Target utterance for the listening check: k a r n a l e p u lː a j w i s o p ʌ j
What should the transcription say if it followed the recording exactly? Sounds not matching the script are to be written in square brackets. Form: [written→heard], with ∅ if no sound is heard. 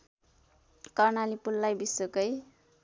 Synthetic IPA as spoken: k [a→ʌ] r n a l [e→i] p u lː a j [w→b] i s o [p→k] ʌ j